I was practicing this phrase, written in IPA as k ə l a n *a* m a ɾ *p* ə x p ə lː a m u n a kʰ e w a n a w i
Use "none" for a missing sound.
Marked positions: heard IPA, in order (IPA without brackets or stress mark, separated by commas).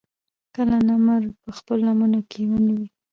a, p